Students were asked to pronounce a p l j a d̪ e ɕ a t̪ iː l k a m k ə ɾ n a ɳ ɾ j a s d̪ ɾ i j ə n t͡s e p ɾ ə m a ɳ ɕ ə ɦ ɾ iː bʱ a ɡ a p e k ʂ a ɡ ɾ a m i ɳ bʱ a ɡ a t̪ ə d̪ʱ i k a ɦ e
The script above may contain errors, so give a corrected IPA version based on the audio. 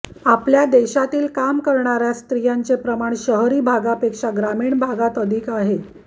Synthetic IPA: a p l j a d̪ e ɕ a t̪ iː l k a m k ə ɾ ɳ a ɾ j a s t̪ ɾ i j a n t͡s e p ɾ ə m a ɳ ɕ ə ɦ ɾ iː bʱ a ɡ a p e k ʂ a ɡ ɾ a m iː ɳ bʱ a ɡ a t̪ ə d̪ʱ i k a ɦ e